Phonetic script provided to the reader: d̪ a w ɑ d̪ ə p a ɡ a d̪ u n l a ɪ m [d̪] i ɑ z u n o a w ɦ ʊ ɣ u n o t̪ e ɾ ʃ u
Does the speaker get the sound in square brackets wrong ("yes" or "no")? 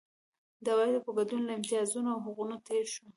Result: yes